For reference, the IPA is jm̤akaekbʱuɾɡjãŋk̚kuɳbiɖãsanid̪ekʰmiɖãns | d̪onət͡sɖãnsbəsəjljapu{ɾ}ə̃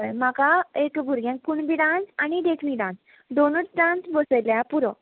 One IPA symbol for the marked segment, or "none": ɾ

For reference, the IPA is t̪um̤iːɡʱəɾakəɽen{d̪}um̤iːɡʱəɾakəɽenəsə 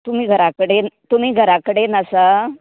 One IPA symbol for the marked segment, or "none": t̪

